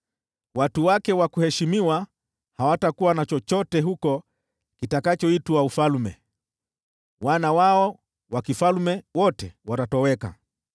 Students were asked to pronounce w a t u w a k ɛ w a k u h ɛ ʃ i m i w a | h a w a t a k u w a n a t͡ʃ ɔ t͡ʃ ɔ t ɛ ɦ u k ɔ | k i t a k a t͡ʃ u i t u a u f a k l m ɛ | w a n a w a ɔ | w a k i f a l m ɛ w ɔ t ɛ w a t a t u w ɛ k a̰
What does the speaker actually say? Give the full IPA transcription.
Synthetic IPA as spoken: w a t u w a k ɛ w a k u h ɛ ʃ i m i w a | h a w a t a k u w a n a t͡ʃ ɔ t͡ʃ ɔ t ɛ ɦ u k ɔ | k i t a k a t͡ʃ ɔ i t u a u f a l m ɛ | w a n a w a ɔ | w a k i f a l m ɛ w ɔ t ɛ w a t a t ɔ w ɛ k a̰